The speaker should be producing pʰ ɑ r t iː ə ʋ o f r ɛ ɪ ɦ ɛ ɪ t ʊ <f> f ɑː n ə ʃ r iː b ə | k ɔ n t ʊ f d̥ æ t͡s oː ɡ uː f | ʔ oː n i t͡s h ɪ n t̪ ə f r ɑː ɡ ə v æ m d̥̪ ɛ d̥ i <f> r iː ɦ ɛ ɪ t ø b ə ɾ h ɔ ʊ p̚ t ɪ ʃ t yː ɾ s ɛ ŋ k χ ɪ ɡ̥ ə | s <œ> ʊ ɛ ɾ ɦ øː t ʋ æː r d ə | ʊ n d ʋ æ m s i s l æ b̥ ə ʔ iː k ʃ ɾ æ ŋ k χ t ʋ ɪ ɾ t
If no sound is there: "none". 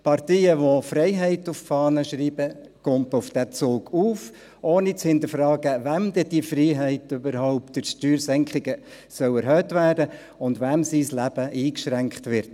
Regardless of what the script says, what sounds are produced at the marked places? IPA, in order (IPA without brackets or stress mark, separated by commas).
f, f, œ